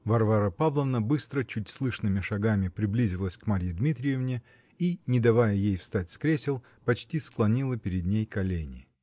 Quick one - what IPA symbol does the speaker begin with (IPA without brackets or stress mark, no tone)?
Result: v